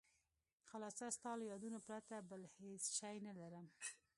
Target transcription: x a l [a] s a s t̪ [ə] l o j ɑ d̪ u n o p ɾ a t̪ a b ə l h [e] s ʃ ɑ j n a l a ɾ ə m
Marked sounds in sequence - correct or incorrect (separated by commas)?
incorrect, incorrect, correct